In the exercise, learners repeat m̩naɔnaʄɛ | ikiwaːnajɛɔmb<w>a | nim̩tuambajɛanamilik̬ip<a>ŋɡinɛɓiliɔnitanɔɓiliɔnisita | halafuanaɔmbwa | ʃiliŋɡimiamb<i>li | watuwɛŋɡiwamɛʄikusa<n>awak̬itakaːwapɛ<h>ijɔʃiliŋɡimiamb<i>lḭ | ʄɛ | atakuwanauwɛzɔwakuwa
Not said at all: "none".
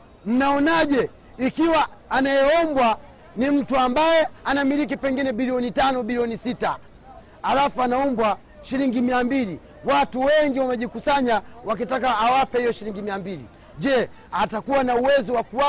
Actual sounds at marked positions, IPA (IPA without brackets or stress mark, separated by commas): w, ɛ, i, ɲ, h, i